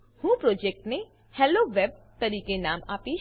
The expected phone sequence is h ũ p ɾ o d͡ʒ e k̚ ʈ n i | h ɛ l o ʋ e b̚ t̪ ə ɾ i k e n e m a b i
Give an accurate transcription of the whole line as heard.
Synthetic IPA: h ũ p ɾ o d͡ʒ e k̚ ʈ n e | h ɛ l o ʋ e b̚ t̪ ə ɾ i k e n a m a p i